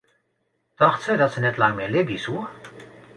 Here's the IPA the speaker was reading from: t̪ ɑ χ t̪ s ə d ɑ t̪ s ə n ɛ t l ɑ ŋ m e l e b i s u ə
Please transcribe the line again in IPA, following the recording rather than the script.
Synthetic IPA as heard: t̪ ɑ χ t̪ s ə d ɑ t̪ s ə n ɛ t l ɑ ŋ m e l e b i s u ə